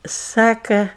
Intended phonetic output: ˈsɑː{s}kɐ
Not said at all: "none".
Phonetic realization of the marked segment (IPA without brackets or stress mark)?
none